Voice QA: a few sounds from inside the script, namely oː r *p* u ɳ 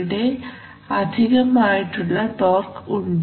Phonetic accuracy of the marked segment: incorrect: k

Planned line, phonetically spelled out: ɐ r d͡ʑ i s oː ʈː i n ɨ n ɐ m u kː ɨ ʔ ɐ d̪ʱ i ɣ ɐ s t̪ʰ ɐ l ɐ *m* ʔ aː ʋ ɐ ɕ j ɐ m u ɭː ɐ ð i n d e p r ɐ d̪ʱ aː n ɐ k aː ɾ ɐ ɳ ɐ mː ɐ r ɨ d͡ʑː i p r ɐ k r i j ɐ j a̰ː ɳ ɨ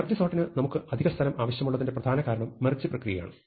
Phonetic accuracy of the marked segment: correct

